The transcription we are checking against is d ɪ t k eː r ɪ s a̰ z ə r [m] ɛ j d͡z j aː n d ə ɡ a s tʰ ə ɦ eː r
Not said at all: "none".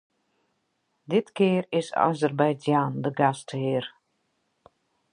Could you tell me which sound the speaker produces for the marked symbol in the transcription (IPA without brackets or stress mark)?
b